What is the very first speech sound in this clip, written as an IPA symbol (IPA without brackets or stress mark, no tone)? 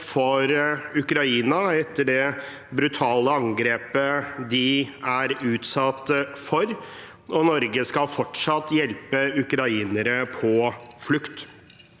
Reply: f